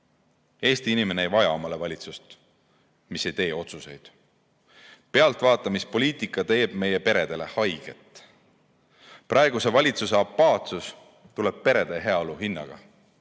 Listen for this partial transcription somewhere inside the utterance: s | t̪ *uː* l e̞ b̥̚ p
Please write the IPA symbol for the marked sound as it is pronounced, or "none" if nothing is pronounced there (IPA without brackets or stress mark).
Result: u